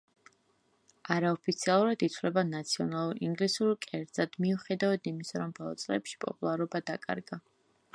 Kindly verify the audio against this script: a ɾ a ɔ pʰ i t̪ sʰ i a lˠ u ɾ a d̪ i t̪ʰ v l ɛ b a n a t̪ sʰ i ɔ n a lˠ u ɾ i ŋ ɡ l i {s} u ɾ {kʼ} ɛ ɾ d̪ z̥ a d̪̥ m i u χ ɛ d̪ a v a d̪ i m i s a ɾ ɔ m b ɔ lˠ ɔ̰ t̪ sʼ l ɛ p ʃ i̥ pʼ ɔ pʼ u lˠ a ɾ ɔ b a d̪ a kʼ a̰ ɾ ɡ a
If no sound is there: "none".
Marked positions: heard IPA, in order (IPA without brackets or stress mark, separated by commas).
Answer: s, kʼ